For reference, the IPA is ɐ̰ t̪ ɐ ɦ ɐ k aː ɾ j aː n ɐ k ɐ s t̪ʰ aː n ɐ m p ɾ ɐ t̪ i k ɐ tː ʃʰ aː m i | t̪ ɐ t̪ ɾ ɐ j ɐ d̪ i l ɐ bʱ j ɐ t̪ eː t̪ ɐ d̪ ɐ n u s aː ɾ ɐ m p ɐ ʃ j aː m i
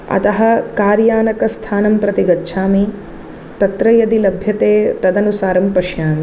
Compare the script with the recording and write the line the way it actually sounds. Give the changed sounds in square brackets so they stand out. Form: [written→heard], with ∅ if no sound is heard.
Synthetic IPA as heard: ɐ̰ t̪ ɐ ɦ ɐ k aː ɾ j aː n ɐ k ɐ s t̪ʰ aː n ɐ m p ɾ ɐ t̪ i [k→ɡ] ɐ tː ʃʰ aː m i | t̪ ɐ t̪ ɾ ɐ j ɐ d̪ i l ɐ bʱ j ɐ t̪ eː t̪ ɐ d̪ ɐ n u s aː ɾ ɐ m p ɐ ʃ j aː m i